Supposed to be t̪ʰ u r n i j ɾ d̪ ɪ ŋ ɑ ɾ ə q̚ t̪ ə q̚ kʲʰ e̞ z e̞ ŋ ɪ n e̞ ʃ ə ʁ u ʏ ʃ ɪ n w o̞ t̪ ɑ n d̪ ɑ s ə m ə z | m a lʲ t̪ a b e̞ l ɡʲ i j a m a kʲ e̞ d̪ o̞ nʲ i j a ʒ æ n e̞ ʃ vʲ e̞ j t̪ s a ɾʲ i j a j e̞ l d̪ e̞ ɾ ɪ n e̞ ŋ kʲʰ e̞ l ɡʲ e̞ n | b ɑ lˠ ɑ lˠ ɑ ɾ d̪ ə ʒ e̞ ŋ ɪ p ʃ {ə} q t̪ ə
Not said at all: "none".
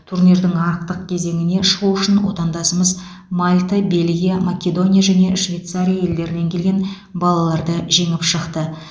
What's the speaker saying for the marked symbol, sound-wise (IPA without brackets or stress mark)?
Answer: ə